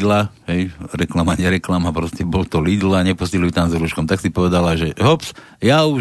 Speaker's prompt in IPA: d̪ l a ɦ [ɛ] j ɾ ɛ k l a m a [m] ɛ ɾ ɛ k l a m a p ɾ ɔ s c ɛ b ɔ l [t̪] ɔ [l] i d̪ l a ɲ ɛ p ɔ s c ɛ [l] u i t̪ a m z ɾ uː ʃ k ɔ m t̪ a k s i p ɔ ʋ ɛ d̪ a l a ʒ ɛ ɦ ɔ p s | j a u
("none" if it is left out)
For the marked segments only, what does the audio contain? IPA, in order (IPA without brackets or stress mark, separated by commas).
ɛ, ɲ, t̪, l, l